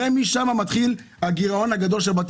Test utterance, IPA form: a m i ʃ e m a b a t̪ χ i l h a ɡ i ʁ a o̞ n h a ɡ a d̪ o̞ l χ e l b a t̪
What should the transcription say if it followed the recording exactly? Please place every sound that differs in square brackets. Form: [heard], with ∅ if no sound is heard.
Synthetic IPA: [e] m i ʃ [a] m a [m] a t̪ χ i l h a ɡ i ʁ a o̞ n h a ɡ a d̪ o̞ l [ʃ] e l b a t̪